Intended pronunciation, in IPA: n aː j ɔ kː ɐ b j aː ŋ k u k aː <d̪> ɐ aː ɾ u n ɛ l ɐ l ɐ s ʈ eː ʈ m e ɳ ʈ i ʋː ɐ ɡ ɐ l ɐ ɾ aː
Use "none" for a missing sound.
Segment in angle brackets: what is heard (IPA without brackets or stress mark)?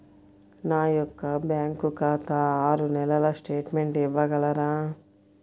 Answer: t̪